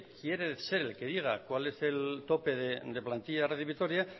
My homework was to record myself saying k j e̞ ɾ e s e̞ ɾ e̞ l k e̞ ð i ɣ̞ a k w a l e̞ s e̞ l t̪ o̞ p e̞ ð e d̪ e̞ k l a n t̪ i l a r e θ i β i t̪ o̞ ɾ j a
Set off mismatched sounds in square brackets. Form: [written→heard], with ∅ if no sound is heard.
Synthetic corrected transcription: k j e̞ ɾ e s e̞ ɾ e̞ l k e̞ ð i ɣ̞ a k w a l e̞ s e̞ l t̪ o̞ p e̞ ð e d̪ e̞ [k→p] l a n t̪ i [l→ʎ] a r e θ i β i t̪ o̞ ɾ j a